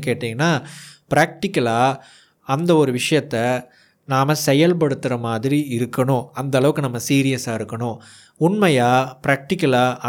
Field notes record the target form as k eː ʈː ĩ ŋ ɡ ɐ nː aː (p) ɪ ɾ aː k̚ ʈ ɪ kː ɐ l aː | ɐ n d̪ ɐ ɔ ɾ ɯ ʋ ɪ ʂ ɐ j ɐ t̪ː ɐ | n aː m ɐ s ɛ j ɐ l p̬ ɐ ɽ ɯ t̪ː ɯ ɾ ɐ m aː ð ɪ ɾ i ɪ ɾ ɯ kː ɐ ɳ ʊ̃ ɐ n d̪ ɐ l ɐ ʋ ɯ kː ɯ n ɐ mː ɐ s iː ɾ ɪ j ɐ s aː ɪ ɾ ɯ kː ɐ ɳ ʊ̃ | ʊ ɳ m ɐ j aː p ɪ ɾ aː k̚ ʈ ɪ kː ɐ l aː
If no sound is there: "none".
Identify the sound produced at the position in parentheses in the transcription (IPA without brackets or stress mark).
p